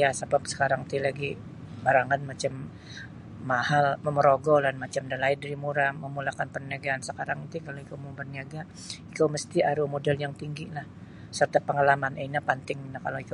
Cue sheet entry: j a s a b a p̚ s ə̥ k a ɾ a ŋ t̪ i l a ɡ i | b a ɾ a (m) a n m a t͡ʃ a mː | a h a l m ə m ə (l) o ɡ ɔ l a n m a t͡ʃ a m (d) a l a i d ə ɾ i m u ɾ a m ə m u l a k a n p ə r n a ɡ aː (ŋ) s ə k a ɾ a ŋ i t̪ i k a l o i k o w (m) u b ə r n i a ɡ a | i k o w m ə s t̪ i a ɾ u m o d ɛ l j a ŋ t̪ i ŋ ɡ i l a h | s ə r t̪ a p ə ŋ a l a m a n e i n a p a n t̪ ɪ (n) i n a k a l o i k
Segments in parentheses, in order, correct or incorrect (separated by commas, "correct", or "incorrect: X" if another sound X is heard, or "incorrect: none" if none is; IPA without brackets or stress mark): incorrect: ŋ, incorrect: ɾ, correct, incorrect: n, correct, incorrect: ŋ